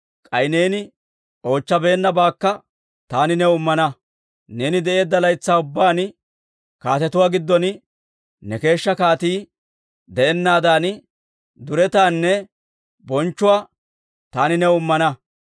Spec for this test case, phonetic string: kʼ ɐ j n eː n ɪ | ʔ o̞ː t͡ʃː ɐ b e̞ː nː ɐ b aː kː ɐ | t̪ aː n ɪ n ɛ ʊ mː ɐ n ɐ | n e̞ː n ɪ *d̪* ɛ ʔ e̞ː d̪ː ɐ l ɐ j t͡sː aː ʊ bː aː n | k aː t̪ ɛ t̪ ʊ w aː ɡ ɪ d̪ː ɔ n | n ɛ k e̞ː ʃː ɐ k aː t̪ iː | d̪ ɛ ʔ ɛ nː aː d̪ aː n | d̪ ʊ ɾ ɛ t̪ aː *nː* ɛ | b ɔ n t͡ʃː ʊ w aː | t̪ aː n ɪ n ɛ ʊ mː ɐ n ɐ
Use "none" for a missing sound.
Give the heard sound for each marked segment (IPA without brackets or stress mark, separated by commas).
d̪, nː